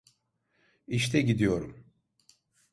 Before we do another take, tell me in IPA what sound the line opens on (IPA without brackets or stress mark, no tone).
i